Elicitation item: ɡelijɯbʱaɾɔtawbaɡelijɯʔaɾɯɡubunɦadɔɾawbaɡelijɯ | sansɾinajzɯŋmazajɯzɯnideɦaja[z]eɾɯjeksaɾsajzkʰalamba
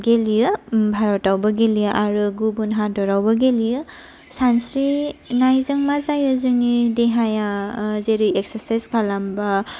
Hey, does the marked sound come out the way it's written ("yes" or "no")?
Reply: yes